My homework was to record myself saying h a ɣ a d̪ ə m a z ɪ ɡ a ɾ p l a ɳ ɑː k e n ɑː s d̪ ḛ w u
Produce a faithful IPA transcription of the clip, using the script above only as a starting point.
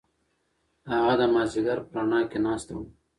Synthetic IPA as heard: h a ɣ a d̪ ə m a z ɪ ɡ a ɾ p ɾ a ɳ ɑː k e n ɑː s t̪ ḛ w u